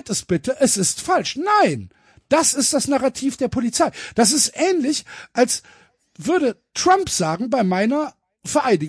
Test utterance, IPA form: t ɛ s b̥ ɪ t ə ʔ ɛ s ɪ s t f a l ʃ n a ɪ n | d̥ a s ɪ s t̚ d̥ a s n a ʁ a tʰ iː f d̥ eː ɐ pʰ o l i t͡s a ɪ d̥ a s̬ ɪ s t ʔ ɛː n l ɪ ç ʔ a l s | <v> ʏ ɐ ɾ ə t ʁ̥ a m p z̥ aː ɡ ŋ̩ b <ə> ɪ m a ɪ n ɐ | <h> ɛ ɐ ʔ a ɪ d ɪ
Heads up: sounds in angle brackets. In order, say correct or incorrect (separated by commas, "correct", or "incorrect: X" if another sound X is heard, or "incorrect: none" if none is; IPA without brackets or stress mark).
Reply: correct, incorrect: a, incorrect: f